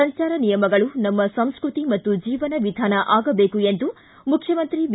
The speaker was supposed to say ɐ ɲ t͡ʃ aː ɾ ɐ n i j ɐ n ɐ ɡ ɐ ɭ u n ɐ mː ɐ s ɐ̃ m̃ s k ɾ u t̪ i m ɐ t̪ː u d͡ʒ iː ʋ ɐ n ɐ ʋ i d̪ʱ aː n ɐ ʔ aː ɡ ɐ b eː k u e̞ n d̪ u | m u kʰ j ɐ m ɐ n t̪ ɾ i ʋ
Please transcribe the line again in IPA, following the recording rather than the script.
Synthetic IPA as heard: ɐ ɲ t͡ʃ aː ɾ ɐ n i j ɐ m ɐ ɡ ɐ ɭ u n ɐ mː ɐ s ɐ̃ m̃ s k ɾ u t̪ i m ɐ t̪ː u d͡ʒ iː ʋ ɐ n ɐ ʋ i d̪ʱ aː n ɐ ʔ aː ɡ ɐ b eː k u e̞ n d̪ u | m u kʰ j ɐ m ɐ n t̪ ɾ i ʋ